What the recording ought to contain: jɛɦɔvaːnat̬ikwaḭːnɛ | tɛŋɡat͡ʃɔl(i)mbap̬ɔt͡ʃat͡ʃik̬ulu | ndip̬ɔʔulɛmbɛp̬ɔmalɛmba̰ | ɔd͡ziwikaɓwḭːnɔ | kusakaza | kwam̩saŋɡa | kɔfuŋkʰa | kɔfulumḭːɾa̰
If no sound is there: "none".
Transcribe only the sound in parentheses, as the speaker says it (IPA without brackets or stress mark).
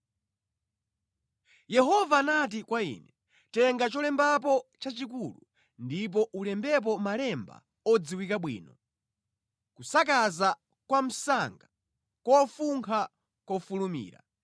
ɛ